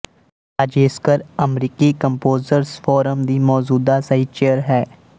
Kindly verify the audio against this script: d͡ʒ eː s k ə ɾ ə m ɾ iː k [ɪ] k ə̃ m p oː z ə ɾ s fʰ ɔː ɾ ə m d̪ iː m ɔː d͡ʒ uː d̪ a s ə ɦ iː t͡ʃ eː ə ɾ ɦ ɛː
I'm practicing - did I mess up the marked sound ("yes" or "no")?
yes